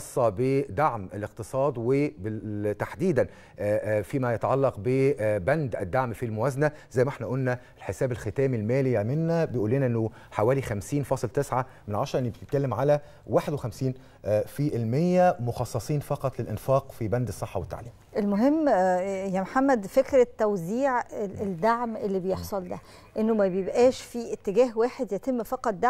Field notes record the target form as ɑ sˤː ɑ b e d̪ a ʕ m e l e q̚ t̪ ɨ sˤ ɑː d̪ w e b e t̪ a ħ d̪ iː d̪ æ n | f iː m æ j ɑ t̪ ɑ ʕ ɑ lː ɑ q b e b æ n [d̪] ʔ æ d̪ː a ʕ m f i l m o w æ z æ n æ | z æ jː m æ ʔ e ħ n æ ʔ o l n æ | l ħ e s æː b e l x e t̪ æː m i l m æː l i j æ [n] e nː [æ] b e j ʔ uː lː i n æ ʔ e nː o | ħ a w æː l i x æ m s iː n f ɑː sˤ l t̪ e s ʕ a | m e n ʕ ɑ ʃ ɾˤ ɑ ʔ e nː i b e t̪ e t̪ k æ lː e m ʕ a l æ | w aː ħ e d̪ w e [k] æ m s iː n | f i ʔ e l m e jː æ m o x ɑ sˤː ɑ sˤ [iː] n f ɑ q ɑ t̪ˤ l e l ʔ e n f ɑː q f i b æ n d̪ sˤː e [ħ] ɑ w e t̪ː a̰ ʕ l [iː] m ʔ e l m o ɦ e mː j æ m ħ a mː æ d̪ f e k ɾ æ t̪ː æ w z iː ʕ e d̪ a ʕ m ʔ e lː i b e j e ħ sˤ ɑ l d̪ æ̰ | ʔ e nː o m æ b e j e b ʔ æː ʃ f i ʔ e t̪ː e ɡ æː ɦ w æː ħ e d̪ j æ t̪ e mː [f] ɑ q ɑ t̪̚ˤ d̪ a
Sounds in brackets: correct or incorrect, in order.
correct, incorrect: m, correct, incorrect: x, correct, incorrect: ħː, correct, correct

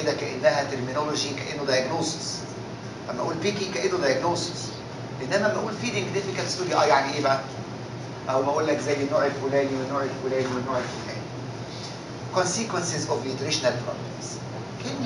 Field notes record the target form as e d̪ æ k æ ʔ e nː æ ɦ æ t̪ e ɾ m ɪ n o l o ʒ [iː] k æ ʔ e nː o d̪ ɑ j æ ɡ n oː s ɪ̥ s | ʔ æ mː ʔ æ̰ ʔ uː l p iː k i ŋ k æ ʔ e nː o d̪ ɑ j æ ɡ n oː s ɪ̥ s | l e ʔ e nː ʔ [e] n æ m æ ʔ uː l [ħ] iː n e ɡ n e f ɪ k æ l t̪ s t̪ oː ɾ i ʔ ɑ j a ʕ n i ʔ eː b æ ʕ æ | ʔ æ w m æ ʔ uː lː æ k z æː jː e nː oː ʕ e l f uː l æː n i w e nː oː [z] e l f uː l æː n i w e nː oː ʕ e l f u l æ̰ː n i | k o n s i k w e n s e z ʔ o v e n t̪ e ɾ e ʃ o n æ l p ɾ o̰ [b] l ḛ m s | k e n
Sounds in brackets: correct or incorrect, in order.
incorrect: i, incorrect: æ, incorrect: f, incorrect: ʕ, correct

